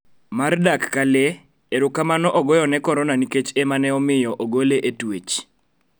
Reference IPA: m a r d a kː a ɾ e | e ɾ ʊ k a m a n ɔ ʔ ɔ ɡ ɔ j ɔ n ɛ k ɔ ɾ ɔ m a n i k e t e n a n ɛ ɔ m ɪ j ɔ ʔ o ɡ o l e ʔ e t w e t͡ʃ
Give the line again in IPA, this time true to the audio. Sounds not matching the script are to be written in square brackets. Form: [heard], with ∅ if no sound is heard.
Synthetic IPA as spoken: m a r d a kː a [l] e | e ɾ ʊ k a m a n ɔ ʔ ɔ ɡ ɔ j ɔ n ɛ k ɔ ɾ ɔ [n] a n i k e [t͡ʃ] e [m] a n ɛ ɔ m ɪ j ɔ ʔ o ɡ o l e ʔ e t w e t͡ʃ